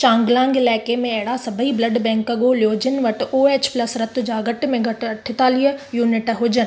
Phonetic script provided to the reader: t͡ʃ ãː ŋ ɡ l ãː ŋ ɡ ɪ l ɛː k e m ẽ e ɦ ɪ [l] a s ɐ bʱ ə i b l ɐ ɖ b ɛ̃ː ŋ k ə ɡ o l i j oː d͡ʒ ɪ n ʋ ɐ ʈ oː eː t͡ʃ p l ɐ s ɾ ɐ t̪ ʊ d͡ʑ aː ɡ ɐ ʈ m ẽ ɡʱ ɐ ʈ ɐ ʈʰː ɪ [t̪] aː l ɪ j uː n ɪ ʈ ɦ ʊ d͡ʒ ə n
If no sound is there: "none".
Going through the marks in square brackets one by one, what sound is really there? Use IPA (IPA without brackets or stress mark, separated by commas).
ɽ, t̪